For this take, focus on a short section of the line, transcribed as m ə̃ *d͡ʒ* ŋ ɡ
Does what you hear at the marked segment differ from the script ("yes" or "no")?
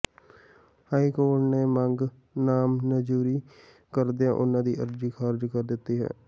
yes